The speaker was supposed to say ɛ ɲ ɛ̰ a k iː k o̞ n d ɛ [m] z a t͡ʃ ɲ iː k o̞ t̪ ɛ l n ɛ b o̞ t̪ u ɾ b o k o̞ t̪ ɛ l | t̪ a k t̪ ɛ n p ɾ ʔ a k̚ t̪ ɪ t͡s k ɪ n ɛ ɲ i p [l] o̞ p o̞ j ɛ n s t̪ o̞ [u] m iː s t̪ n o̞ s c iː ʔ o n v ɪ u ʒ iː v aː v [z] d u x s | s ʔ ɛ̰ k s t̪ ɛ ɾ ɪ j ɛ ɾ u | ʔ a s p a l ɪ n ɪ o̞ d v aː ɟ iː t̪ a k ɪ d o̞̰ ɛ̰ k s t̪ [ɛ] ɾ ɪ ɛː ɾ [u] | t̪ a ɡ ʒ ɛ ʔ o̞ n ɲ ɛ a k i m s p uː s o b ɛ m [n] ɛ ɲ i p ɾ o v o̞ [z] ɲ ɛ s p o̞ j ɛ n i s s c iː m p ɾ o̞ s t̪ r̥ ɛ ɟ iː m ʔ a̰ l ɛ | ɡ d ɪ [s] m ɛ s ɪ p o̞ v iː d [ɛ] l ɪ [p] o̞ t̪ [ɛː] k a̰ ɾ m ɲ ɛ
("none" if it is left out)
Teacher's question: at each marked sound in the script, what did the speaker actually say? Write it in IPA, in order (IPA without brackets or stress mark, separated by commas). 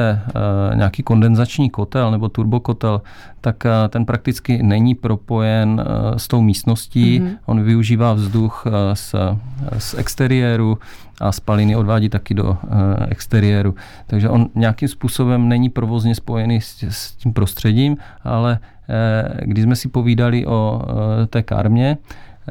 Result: n, ɾ, w, z, ɛ, u, n, z, z, a, ʔ, ɛː